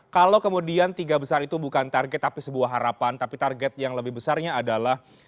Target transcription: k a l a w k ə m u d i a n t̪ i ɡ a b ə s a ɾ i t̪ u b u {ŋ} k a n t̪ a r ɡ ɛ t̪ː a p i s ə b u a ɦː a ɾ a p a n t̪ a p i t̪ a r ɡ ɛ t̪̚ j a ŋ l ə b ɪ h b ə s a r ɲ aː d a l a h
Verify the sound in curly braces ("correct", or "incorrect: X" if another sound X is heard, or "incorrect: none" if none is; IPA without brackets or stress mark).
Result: incorrect: none